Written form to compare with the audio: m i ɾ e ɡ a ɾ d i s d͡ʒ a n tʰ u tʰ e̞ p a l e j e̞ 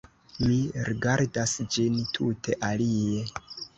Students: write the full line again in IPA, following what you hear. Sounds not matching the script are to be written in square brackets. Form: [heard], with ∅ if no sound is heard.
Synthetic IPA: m i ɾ [i] ɡ a ɾ d [a] s d͡ʒ [i] n tʰ u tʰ e̞ [ʔ] a l [i] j e̞